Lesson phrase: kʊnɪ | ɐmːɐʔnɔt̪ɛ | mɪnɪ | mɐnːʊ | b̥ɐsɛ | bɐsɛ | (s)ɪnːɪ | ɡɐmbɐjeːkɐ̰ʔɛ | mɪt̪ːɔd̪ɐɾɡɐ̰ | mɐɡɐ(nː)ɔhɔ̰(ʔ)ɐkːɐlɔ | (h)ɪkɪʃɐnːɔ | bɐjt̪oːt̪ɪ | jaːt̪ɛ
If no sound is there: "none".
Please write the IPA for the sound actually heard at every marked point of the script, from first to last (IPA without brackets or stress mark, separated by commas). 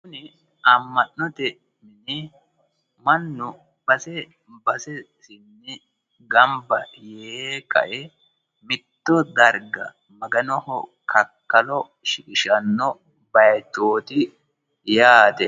s, n, k, ʃ